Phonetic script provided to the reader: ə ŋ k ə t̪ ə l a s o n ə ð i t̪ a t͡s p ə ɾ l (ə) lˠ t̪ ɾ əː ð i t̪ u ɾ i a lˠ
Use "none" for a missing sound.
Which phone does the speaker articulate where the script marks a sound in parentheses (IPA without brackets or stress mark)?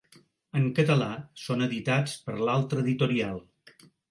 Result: a